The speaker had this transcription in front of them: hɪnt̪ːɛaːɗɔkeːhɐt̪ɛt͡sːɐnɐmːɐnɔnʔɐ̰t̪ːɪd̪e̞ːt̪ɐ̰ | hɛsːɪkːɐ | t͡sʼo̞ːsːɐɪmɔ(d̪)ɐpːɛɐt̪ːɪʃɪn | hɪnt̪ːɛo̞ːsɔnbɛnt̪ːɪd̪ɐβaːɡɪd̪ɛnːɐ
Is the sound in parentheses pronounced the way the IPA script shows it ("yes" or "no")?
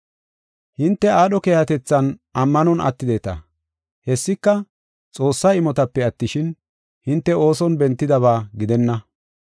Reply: no